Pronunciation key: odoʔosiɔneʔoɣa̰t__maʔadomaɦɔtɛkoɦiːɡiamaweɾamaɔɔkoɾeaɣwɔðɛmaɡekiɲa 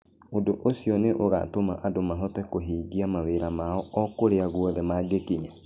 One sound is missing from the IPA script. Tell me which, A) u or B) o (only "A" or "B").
B